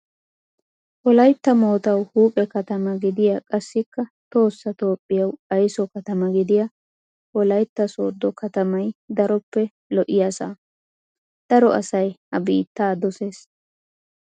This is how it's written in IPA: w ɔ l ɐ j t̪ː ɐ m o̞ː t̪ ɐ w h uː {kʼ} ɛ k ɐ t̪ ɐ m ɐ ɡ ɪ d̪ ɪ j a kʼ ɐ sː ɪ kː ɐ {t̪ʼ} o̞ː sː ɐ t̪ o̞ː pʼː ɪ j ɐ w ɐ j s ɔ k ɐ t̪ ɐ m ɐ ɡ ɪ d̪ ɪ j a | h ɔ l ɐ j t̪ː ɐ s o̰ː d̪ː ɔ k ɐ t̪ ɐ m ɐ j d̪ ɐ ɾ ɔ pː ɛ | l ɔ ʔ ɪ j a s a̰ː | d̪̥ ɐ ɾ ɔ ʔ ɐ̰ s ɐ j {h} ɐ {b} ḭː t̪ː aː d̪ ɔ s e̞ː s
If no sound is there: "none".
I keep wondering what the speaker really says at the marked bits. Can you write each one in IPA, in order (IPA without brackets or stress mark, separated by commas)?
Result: pʼ, t̪, h, b